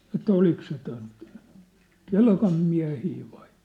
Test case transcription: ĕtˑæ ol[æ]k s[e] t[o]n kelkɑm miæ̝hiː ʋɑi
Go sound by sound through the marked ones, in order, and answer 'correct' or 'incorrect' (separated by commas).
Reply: incorrect, correct, correct